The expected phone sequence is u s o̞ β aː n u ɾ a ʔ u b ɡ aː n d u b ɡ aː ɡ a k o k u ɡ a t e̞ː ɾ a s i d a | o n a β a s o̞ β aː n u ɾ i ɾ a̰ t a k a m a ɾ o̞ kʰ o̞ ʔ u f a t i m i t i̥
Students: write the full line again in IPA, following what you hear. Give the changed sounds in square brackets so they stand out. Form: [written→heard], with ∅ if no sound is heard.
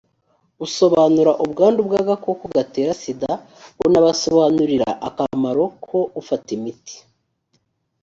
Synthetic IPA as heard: u s o̞ β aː n u ɾ a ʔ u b ɡ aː n d u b ɡ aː ɡ a k o k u ɡ a t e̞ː ɾ a s i d a | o n a β a s o̞ β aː n u ɾ i ɾ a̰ [t→ʔ] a k a m a ɾ o̞ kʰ o̞ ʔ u f a t i m i t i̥